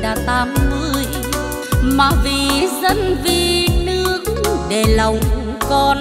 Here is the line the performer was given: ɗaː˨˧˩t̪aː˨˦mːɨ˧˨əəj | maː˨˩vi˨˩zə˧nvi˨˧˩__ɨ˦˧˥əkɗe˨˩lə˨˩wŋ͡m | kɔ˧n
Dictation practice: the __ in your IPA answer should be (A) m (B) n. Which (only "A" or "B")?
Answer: B